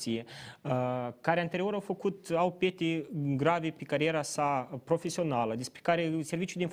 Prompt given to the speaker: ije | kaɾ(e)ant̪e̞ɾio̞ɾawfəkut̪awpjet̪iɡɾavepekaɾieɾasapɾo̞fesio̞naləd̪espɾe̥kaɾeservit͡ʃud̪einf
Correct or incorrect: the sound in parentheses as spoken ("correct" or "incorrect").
correct